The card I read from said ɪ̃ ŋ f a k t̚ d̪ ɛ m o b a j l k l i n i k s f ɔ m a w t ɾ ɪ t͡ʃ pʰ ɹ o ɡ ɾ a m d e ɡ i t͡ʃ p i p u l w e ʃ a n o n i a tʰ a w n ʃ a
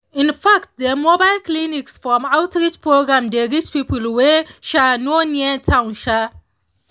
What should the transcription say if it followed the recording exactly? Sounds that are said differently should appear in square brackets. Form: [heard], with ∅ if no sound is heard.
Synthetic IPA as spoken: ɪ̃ [n] f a k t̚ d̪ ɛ m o b a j l k l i n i k s f ɔ m a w t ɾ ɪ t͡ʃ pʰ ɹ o ɡ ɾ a m d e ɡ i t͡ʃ p i p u l w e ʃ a n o n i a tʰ a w n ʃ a